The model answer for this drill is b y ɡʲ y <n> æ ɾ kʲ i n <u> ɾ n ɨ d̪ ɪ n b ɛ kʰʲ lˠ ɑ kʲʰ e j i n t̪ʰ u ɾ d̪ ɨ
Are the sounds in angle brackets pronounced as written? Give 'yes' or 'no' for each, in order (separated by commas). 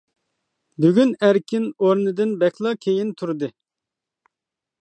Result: yes, no